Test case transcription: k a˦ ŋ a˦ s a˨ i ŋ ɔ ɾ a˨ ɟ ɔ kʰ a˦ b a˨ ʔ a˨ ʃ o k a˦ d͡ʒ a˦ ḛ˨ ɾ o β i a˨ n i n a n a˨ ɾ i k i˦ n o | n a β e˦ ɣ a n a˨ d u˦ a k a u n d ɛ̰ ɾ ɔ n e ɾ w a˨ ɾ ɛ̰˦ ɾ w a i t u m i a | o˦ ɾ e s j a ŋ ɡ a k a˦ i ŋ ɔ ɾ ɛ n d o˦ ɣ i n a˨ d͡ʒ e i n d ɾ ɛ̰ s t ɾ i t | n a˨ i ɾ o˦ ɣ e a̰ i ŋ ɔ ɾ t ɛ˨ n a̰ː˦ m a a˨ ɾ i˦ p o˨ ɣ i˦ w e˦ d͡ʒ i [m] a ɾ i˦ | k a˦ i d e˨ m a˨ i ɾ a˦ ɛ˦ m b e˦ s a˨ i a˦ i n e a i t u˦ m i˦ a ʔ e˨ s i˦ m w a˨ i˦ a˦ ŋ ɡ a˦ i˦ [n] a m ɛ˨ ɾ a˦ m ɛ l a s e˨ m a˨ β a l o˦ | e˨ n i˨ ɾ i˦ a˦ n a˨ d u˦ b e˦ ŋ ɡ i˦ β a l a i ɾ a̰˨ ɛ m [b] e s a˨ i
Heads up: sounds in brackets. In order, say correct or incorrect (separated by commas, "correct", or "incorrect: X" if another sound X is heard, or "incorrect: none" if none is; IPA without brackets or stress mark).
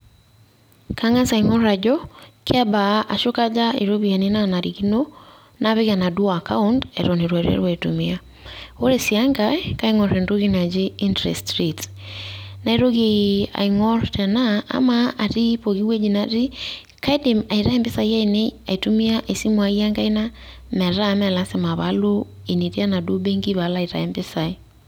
incorrect: n, correct, correct